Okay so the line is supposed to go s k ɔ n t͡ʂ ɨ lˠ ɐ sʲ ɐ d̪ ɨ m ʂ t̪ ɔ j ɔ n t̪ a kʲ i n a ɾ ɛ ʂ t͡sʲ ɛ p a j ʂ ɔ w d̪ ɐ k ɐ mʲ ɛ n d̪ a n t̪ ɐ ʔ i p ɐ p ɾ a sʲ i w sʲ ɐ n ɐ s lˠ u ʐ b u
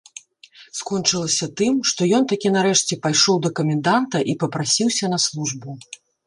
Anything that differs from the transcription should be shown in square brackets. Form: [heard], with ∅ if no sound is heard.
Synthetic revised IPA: s k ɔ n t͡ʂ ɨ lˠ ɐ sʲ ɐ [t̪] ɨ m ʂ t̪ ɔ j ɔ n t̪ a kʲ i n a ɾ ɛ ʂ t͡sʲ ɛ p a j ʂ ɔ w d̪ ɐ k ɐ mʲ ɛ n d̪ a n t̪ ɐ ʔ i p ɐ p ɾ a sʲ i w sʲ ɐ n ɐ s lˠ u ʐ b u

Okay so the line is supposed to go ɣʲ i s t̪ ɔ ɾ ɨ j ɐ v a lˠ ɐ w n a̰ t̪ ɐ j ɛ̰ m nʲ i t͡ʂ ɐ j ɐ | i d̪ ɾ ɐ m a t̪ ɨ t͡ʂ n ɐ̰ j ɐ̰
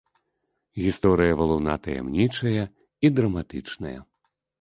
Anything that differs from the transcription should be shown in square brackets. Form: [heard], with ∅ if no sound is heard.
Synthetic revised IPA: ɣʲ i s t̪ ɔ ɾ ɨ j ɐ v [ɐ] lˠ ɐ w n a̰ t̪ ɐ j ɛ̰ m nʲ i t͡ʂ ɐ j ɐ | i d̪ ɾ ɐ m a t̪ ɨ t͡ʂ n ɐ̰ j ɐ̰

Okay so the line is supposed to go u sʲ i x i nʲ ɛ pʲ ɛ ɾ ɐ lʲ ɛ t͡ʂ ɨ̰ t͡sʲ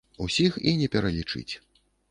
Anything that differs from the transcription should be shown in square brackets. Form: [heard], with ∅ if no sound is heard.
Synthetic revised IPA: u sʲ i x i nʲ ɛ pʲ ɛ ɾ ɐ lʲ [i] t͡ʂ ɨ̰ t͡sʲ

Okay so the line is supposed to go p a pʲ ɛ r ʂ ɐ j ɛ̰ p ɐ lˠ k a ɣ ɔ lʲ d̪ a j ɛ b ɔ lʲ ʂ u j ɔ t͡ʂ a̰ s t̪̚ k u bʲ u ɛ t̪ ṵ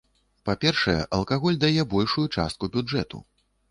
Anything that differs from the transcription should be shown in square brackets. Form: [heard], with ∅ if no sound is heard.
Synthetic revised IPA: p a pʲ ɛ r ʂ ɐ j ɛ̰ [ʔ] ɐ lˠ k a ɣ ɔ lʲ d̪ a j ɛ b ɔ lʲ ʂ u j [u] t͡ʂ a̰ s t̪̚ k u bʲ u ɛ t̪ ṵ

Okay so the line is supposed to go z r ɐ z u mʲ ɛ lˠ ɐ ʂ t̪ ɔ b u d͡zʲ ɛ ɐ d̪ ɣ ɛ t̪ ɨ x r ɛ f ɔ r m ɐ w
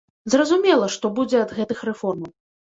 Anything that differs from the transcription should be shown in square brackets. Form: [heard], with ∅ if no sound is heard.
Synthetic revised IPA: z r ɐ z u mʲ ɛ lˠ ɐ ʂ t̪ ɔ b u d͡zʲ ɛ ɐ d̪ ɣ ɛ t̪ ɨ x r ɛ f ɔ r m ɐ w

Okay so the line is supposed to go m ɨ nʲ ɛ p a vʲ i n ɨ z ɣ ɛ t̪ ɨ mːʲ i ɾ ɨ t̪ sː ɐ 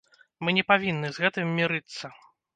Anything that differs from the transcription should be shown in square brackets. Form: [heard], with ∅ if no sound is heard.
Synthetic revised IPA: m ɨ nʲ ɛ p a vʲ i [nː] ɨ z ɣ ɛ t̪ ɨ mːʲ i ɾ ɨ t̪ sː ɐ

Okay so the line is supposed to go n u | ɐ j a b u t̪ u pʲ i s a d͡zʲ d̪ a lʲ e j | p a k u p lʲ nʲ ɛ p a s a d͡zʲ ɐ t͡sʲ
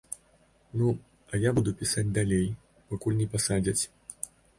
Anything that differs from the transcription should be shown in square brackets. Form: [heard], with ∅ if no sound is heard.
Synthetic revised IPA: n u | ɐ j a b u [d̪] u pʲ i s a d͡zʲ d̪ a lʲ e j | p a k u [∅] lʲ nʲ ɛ p a s a d͡zʲ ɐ t͡sʲ

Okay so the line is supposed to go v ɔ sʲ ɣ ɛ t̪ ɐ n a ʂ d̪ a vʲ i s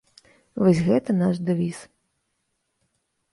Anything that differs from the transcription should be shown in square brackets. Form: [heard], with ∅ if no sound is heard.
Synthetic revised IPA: v ɔ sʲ ɣ ɛ t̪ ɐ n a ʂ d̪ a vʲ i s

